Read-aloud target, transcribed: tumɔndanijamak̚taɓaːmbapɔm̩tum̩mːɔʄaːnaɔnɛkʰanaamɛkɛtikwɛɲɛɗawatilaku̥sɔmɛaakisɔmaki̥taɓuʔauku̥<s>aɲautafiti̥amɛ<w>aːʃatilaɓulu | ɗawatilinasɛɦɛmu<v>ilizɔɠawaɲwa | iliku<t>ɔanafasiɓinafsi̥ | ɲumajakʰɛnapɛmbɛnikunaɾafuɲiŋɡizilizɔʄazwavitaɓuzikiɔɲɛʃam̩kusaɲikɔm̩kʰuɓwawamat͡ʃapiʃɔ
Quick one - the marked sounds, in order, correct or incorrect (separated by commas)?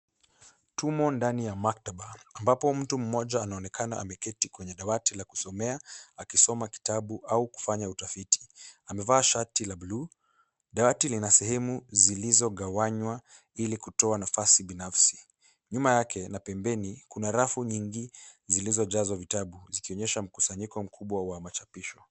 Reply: incorrect, incorrect, incorrect, correct